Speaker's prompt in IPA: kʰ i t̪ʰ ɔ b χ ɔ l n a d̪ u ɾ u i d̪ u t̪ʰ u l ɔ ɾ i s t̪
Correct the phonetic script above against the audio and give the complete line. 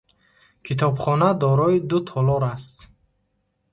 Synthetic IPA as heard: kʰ i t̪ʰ ɔ b χ ɔ n a d̪ ɔ ɾ ɔ i d̪ u t̪ʰ ɔ l ɔ ɾ a s t̪